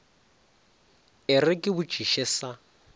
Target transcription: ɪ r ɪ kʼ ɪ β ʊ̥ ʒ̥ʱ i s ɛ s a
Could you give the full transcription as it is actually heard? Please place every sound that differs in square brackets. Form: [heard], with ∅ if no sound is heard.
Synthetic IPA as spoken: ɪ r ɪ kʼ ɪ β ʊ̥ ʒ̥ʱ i [ʃ] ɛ s a

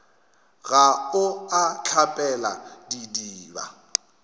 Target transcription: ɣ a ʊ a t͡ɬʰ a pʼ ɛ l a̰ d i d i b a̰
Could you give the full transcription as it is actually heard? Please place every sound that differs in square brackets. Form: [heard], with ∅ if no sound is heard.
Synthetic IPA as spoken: ɣ a ʊ a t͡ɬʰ a pʼ ɛ l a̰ d i d [iː] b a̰

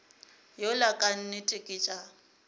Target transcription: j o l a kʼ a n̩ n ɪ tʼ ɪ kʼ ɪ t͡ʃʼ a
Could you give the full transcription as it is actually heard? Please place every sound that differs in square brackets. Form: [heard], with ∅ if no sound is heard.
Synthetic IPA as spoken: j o l a kʼ a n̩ n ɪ tʼ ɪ kʼ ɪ t͡ʃʼ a

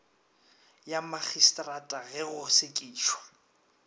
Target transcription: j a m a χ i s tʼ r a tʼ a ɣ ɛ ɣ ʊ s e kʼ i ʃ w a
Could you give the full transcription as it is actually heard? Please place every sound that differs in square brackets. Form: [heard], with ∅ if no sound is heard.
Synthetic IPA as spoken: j a m a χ i s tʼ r a tʼ a ɣ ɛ ɣ ʊ s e kʼ [iː] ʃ w a

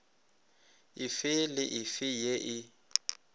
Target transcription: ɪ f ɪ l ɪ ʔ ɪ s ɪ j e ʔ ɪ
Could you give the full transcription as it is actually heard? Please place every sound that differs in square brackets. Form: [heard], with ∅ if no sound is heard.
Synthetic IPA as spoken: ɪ f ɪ l ɪ ʔ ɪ [f] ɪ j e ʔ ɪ

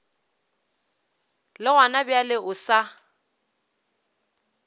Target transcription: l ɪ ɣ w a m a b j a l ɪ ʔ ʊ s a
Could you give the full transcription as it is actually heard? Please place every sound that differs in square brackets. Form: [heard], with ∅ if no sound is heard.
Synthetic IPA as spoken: l ɪ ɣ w a [n] a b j a l ɪ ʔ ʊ s a

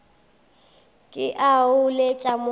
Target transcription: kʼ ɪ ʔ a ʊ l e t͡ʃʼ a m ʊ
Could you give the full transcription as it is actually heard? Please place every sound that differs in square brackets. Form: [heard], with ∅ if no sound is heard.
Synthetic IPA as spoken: kʼ ɪ ʔ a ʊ l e t͡ʃʼ a m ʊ

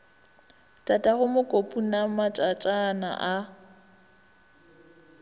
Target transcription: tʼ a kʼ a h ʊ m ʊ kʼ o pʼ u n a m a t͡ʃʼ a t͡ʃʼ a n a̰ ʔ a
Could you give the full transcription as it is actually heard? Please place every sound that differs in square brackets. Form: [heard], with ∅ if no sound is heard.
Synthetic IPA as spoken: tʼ a [tʼ] a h ʊ m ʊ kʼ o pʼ u n a m a t͡ʃʼ a t͡ʃʼ a n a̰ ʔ a

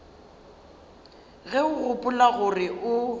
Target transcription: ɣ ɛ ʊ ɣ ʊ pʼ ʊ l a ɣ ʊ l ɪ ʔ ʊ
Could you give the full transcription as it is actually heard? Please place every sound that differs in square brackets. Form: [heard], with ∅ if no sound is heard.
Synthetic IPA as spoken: ɣ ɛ ʊ ɣ ʊ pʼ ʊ l a ɣ ʊ [r] ɪ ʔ ʊ

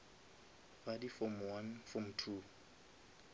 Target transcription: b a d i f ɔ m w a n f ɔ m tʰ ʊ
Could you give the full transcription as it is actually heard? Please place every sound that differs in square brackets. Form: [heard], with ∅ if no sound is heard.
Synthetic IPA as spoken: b a d i f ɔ m w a n f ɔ m tʰ [u]

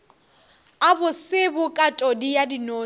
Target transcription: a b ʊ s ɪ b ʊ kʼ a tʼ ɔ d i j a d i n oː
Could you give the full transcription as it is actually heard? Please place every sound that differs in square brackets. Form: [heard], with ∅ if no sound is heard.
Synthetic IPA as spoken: a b ʊ s ɪ b ʊ kʼ a tʼ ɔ d i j a d i n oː

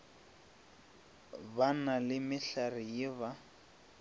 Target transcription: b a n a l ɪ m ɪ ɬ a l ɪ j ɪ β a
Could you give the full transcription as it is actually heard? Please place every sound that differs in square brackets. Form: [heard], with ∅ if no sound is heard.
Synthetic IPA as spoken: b a n a l ɪ m ɪ ɬ a [r] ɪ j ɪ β a

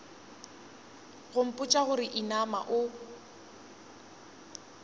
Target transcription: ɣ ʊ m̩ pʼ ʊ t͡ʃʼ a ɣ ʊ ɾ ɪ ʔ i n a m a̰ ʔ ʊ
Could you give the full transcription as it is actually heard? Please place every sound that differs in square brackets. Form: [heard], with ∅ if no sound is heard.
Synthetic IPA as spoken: ɣ ʊ m̩ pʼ ʊ t͡ʃʼ a ɣ ʊ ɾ ɪ ʔ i n a m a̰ ʔ ʊ

